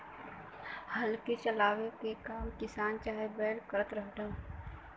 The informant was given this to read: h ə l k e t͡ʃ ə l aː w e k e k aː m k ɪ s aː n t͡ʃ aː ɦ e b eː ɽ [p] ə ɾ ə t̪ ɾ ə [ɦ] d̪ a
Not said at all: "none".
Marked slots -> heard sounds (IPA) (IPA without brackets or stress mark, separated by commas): k, ɦ